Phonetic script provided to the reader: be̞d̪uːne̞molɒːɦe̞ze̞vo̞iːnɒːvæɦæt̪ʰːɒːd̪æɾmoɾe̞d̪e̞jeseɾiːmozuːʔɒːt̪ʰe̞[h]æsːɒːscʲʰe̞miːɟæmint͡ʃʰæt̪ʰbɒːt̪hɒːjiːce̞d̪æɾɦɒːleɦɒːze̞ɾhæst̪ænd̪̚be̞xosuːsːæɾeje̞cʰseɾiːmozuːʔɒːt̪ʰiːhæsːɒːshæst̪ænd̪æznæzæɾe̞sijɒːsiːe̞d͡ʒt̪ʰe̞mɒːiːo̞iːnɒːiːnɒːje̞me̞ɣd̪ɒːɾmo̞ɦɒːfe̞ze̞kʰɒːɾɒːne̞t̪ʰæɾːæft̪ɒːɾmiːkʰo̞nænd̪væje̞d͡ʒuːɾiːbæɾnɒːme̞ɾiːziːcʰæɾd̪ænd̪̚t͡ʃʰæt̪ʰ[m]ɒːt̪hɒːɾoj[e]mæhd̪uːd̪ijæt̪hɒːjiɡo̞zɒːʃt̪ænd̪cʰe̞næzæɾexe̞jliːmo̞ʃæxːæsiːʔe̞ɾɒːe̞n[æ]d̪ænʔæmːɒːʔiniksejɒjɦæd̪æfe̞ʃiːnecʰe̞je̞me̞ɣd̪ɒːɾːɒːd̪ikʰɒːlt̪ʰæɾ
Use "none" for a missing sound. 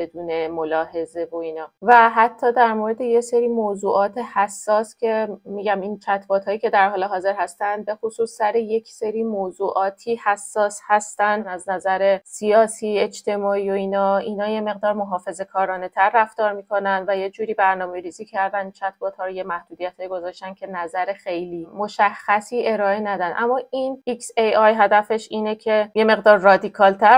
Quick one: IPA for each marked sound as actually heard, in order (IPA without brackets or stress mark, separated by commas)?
h, b, e, æ